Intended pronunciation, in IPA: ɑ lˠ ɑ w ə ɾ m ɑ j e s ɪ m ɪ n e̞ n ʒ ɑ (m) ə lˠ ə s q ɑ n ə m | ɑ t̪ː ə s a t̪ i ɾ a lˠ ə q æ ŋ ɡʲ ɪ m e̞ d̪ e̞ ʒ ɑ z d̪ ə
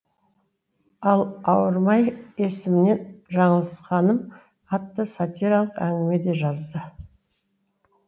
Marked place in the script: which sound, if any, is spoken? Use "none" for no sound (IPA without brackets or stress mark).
ɴ